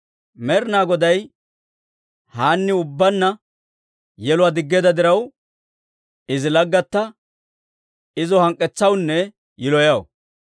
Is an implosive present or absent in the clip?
absent